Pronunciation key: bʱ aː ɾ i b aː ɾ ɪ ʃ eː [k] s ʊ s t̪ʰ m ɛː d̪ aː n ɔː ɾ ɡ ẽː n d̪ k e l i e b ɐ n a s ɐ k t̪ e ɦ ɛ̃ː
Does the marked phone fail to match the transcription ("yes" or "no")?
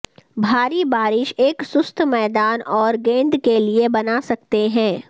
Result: no